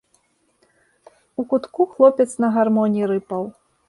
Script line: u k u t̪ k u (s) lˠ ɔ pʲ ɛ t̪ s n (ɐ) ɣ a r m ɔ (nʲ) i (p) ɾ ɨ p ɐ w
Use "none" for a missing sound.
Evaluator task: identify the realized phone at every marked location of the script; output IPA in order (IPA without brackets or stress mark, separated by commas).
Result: x, ɐ, nʲ, none